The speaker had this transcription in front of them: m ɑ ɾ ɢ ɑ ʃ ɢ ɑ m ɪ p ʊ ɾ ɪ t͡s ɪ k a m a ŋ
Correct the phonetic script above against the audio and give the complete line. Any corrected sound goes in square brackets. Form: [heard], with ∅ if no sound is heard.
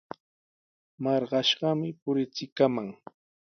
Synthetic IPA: m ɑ ɾ ɢ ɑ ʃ ɢ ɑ m ɪ p ʊ ɾ ɪ t͡s ɪ k a m a ŋ